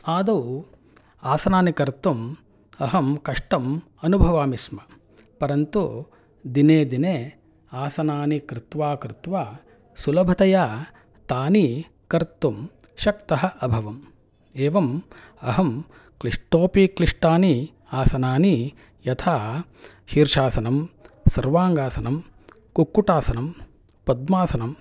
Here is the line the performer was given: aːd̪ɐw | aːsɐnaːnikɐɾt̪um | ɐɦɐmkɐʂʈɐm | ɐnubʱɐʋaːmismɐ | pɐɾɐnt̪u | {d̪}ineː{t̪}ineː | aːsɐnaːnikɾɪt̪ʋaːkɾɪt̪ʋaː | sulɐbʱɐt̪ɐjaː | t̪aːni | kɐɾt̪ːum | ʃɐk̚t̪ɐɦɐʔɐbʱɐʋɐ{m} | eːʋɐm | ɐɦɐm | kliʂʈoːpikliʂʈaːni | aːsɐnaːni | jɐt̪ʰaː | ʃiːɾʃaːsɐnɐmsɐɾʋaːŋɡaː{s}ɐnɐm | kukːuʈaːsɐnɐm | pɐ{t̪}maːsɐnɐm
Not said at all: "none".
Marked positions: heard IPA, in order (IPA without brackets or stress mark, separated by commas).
d̪, d̪, m, s, d̪